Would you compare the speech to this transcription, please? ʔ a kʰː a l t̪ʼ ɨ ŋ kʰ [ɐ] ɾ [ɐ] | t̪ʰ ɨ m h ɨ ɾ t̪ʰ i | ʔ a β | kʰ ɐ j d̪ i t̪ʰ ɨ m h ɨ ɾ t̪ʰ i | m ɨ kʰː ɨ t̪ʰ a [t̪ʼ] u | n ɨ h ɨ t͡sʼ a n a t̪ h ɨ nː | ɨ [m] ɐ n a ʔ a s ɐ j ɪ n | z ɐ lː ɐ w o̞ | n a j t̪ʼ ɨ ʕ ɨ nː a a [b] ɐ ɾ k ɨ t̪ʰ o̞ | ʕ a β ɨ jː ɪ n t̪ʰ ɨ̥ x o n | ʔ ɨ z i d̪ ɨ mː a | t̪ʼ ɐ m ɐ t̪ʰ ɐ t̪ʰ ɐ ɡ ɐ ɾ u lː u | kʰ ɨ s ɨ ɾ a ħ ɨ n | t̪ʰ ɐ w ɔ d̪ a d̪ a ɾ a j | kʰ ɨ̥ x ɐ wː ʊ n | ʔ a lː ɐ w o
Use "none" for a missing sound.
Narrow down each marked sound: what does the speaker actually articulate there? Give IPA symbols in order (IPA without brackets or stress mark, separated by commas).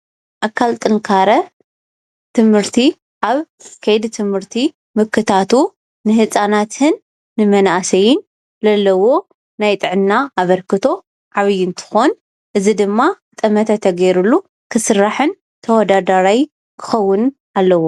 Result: a, ɐ, t̪, m, β